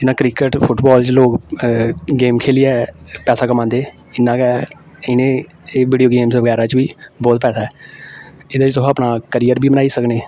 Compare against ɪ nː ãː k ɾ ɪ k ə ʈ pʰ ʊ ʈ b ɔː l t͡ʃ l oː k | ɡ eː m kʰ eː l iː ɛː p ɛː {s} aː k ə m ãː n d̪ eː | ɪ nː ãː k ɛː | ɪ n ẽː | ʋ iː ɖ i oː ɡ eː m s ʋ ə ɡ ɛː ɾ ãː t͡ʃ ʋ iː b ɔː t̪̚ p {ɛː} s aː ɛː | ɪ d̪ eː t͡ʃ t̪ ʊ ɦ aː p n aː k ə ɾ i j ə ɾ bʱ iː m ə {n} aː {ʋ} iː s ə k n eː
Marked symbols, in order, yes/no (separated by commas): yes, yes, yes, no